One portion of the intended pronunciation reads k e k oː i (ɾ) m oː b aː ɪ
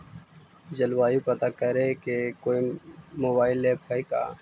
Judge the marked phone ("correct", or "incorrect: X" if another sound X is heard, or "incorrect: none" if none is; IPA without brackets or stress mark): incorrect: none